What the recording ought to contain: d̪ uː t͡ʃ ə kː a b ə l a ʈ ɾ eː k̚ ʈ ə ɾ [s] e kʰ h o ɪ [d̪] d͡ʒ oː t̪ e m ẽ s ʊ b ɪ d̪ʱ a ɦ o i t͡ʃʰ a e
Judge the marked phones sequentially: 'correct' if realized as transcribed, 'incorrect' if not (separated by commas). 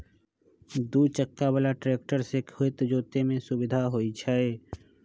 correct, incorrect